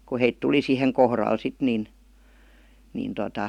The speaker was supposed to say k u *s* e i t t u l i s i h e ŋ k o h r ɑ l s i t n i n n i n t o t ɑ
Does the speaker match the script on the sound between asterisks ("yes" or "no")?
no